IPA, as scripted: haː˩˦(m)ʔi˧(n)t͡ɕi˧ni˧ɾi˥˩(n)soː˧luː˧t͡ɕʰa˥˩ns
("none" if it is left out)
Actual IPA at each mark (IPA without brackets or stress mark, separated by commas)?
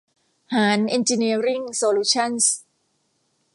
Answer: n, n, ŋ